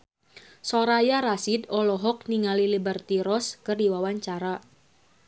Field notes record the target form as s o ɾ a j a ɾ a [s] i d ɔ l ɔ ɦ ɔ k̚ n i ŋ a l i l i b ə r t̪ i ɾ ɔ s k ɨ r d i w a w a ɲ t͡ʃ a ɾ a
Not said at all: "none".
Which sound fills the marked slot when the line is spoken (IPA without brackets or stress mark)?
s